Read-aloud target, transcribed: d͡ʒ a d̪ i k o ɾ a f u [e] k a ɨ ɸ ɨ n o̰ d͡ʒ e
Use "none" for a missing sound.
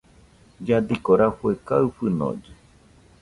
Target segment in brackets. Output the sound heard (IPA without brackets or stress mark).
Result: e